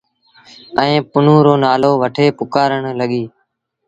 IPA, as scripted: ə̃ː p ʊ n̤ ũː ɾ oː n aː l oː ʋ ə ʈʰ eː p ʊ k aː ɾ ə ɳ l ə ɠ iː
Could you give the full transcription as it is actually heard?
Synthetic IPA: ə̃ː p ʊ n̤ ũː ɾ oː n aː l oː ʋ ə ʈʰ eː p ʊ k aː ɾ ə ɳ l ə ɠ iː